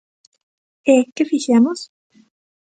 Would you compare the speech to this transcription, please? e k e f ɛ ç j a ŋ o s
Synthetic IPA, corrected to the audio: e k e f i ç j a m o s